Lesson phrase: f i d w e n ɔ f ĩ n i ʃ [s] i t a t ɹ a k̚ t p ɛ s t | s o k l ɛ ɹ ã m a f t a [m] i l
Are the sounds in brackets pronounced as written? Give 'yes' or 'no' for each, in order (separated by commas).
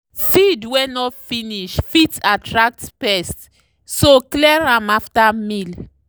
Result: no, yes